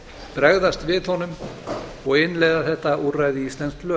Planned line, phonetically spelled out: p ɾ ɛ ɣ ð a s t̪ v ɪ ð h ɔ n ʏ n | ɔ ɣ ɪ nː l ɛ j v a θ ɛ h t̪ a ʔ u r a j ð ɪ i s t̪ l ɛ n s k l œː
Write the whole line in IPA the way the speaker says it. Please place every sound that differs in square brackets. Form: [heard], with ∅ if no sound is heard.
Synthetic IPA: p ɾ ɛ ɣ ð a s t̪ v ɪ ð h ɔ n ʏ [m] | ɔ ɣ ɪ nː l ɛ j [ð] a θ ɛ h t̪ a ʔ u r a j ð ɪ i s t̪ l ɛ n s k l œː